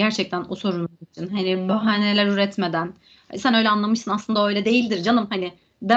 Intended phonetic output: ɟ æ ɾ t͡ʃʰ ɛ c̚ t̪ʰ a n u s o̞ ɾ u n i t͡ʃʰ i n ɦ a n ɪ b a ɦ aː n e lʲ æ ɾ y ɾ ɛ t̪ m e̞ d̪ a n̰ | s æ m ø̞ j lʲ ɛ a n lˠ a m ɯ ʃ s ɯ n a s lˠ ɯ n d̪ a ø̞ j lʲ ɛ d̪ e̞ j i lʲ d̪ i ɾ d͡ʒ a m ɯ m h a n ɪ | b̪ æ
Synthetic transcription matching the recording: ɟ æ ɾ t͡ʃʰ ɛ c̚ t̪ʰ æ n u s o̞ ɾ u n i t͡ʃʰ i n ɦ a n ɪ b a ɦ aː n e lʲ æ ɾ y ɾ ɛ t̪ m e̞ d̪ æ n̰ | s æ n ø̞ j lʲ ɛ a n lˠ a m ɯ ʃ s ɯ n a s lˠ ɯ n d̪ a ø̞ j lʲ ɛ d̪ e̞ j i lʲ d̪ i ɾ d͡ʒ a n ɯ m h a n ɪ | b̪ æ